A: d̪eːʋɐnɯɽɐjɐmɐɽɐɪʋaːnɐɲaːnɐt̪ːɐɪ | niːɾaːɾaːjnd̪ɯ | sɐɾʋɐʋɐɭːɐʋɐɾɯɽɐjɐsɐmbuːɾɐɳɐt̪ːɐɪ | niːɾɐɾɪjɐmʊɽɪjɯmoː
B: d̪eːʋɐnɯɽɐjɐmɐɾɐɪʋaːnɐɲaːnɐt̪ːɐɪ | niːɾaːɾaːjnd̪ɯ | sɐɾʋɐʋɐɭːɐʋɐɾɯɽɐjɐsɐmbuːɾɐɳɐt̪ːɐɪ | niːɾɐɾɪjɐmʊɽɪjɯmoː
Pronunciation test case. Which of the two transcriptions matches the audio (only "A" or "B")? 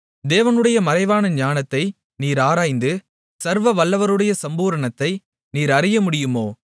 B